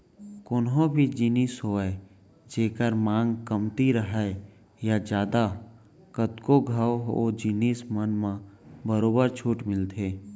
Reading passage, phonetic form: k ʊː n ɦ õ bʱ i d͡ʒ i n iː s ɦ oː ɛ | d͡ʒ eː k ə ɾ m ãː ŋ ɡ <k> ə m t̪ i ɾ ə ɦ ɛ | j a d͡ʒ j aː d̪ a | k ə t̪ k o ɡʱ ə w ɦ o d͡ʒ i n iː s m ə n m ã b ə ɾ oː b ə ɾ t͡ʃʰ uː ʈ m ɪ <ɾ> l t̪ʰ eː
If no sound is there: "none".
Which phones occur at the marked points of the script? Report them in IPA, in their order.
k, none

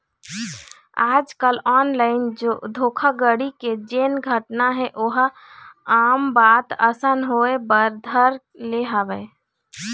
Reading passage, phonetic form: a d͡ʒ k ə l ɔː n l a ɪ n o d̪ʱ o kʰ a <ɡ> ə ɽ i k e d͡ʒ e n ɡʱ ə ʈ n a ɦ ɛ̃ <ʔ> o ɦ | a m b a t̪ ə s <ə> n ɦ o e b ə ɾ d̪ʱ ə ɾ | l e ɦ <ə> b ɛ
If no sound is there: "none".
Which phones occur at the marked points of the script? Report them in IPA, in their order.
ɡ, ʔ, ə, a

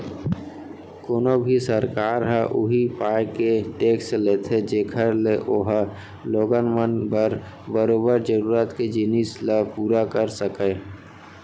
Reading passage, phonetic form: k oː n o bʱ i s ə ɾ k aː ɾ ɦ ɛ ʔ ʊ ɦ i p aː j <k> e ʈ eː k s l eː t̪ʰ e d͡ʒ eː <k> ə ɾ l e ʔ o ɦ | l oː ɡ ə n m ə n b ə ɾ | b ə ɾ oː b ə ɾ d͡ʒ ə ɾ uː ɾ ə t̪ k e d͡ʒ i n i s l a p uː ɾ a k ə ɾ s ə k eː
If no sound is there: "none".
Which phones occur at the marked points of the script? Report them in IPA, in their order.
k, kʰ

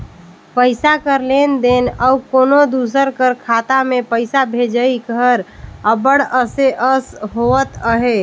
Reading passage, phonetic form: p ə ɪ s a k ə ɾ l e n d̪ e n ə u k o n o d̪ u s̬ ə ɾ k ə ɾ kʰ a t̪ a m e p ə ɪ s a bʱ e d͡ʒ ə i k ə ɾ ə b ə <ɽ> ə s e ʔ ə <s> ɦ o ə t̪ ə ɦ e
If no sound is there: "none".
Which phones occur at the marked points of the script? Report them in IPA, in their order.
ɽ, s

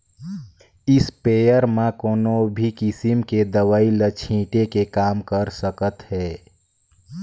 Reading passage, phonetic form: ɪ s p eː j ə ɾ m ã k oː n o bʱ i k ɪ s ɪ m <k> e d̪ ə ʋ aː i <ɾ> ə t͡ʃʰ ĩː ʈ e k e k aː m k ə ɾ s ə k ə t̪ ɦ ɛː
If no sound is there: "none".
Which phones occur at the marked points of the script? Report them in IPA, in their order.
k, l

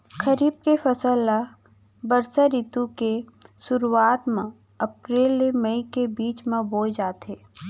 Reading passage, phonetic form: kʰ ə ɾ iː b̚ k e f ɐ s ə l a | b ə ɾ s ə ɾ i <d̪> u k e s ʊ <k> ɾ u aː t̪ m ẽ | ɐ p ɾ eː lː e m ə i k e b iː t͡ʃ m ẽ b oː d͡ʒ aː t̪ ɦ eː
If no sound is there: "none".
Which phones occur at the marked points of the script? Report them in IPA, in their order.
t̪, none

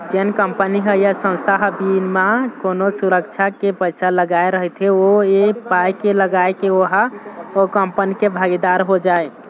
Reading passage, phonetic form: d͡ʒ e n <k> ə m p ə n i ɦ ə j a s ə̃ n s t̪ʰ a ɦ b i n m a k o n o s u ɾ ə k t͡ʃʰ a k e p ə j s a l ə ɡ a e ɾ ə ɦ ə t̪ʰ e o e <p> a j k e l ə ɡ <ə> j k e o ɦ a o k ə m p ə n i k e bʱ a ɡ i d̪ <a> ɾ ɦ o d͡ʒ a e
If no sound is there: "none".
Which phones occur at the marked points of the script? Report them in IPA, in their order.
k, p, a, a

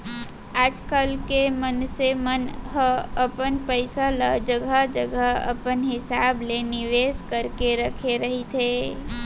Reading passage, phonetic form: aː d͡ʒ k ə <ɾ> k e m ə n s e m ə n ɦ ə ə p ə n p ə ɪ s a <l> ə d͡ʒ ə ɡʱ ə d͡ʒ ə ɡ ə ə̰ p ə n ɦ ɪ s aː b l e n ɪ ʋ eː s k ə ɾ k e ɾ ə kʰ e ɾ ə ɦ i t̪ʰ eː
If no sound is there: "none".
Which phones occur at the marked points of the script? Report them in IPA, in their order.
l, l

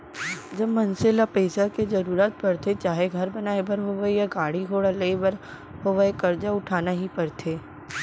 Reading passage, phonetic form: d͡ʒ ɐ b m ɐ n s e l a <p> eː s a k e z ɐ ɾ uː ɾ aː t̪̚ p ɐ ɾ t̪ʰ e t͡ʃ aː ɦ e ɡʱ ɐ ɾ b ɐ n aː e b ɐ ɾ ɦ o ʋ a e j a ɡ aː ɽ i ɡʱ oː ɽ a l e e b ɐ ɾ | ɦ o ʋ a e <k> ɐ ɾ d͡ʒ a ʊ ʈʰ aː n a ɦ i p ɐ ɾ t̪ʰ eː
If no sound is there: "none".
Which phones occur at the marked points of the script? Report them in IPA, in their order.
p, k

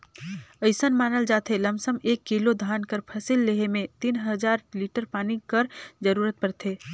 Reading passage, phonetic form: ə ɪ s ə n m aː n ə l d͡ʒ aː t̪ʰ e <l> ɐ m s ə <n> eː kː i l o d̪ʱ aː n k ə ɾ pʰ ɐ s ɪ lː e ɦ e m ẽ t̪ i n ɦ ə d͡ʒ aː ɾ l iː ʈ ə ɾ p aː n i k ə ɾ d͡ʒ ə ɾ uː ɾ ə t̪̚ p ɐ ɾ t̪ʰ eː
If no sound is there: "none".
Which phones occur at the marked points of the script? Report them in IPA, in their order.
l, m

